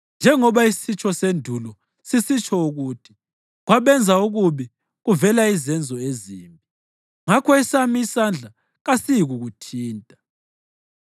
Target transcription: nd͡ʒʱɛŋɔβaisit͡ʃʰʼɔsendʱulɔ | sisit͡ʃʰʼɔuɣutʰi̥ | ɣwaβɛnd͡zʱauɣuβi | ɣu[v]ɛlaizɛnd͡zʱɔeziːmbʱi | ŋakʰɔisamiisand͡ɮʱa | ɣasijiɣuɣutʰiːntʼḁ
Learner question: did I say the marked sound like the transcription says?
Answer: yes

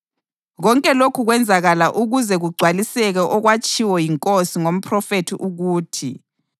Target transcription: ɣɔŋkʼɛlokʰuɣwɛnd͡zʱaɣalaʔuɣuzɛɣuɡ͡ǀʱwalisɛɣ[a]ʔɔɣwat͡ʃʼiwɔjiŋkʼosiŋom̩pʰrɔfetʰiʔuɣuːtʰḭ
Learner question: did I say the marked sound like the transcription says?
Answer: no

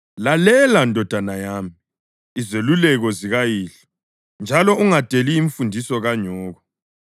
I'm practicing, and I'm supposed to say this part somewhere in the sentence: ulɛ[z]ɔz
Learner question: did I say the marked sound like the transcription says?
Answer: no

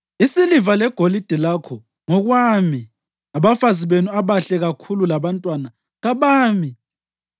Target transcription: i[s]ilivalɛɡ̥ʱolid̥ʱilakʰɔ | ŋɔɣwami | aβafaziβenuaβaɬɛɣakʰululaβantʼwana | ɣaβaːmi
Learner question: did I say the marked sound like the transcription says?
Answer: yes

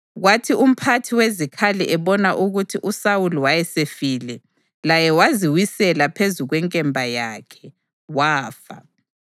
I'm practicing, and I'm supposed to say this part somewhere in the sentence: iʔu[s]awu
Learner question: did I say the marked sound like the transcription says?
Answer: yes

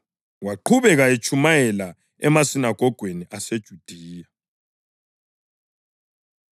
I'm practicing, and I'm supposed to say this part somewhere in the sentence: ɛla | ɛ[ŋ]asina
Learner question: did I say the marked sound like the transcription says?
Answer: no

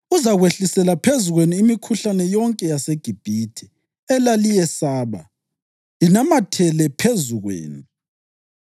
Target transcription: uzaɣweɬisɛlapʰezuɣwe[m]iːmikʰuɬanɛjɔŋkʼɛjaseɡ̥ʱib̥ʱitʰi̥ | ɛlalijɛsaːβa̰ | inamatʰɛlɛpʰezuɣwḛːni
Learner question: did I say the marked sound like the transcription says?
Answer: no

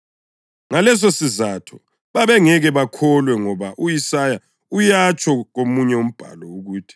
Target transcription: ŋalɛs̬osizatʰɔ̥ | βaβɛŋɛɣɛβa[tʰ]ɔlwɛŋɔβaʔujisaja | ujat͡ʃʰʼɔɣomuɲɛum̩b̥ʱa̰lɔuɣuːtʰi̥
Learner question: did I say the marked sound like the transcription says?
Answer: no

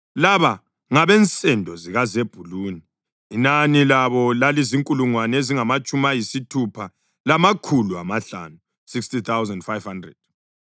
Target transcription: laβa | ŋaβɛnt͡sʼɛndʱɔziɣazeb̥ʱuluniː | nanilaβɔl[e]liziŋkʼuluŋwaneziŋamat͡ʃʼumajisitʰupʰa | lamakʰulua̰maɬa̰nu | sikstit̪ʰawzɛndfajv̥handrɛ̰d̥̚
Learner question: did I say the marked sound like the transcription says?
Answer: no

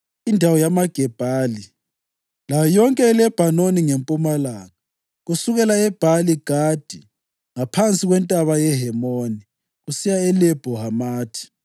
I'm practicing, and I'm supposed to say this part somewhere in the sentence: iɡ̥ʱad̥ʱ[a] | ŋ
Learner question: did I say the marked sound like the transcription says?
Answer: no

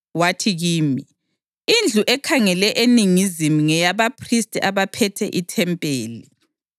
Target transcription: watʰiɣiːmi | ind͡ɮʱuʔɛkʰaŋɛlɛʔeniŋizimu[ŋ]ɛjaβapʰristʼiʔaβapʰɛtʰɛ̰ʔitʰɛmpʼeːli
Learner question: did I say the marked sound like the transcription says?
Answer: yes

